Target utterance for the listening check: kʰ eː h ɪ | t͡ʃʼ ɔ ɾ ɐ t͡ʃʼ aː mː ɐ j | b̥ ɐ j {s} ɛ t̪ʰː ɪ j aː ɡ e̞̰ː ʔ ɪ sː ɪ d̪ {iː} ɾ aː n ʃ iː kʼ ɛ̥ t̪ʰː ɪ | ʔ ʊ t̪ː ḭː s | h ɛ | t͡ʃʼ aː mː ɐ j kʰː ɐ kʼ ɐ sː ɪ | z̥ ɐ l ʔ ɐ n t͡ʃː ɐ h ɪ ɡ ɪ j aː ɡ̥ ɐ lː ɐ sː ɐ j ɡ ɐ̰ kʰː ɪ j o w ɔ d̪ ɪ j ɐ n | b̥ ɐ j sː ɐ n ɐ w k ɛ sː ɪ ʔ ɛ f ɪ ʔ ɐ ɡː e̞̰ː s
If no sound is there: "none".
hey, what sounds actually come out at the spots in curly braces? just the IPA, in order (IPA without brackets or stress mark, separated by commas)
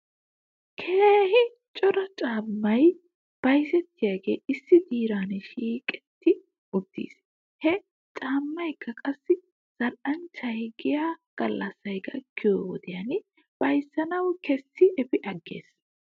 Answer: s, iː